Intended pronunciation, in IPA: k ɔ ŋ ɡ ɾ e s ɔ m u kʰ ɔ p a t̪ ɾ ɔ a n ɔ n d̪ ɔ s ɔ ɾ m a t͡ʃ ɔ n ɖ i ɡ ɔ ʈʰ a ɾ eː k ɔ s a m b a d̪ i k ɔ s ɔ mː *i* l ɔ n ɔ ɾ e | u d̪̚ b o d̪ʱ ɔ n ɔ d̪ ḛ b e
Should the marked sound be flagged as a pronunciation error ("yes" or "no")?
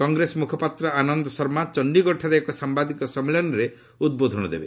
yes